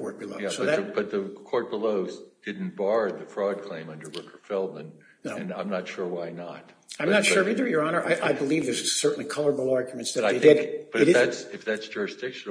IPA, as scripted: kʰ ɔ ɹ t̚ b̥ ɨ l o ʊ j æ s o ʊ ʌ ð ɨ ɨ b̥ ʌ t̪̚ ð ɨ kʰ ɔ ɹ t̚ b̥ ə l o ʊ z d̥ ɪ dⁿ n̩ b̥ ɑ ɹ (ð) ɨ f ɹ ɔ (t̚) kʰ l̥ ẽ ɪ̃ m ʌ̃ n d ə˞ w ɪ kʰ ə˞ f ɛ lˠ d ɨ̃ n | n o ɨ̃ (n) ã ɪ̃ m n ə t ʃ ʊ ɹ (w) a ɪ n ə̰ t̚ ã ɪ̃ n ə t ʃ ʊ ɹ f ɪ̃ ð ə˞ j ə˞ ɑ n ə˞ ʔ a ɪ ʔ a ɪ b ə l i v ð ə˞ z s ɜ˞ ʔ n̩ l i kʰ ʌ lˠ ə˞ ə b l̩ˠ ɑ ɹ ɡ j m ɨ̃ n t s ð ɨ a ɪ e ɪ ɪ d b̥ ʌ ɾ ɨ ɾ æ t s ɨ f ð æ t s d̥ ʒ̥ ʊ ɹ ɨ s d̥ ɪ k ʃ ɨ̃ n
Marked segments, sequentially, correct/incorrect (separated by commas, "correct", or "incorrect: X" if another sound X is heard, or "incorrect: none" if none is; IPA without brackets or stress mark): correct, incorrect: d̚, correct, correct